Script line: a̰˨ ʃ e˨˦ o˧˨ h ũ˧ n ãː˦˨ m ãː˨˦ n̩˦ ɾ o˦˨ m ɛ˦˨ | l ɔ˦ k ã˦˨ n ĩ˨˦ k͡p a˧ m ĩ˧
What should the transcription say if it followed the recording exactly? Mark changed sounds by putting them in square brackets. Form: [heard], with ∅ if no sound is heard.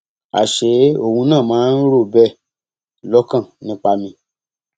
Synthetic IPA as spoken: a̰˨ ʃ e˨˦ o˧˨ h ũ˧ n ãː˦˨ m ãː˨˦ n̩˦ ɾ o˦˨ [b] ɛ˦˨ | l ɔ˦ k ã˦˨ n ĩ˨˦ k͡p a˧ m ĩ˧